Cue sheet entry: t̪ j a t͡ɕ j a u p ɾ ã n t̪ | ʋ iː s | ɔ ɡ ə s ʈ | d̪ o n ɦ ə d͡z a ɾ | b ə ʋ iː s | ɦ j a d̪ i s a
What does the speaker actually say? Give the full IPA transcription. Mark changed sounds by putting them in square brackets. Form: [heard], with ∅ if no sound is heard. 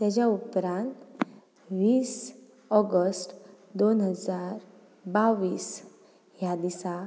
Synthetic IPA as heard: t̪ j a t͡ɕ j a u p ɾ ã n t̪ | ʋ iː s | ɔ ɡ ə s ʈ | d̪ o n ɦ ə d͡z a ɾ | b [a] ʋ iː s | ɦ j a d̪ i s a